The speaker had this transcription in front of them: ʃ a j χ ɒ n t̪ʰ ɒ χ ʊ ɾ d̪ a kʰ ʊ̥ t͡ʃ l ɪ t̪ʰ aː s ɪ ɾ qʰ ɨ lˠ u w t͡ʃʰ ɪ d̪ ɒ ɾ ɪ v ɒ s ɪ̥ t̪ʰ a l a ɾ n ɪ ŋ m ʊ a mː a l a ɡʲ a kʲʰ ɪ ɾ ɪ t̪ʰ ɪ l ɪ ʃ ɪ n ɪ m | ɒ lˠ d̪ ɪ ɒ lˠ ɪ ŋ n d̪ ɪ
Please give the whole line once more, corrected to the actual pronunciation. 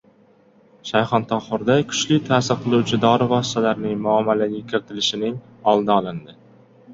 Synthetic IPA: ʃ a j χ ɒ n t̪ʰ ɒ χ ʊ ɾ d̪ a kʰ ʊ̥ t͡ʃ l ɪ t̪ʰ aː s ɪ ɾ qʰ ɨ lˠ u w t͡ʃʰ ɪ d̪ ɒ ɾ ɪ v ɒ s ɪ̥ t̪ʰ a l a ɾ n ɪ ŋ m ʊ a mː a l a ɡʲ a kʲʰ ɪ ɾ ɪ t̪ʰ ɪ l ɪ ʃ ɪ n ɪ ŋ | ɒ lˠ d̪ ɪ ɒ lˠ ɪ n d̪ ɪ